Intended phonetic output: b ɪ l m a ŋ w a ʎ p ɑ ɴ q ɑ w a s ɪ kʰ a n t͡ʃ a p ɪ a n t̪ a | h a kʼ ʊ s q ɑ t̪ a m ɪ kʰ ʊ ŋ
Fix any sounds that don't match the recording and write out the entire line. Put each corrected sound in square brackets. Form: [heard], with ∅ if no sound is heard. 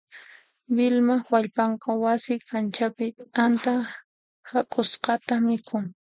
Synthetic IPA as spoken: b ɪ l m a [∅] w a ʎ p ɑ ɴ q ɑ w a s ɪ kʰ a n t͡ʃ a p ɪ a n t̪ a | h a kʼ ʊ s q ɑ t̪ a m ɪ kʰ ʊ ŋ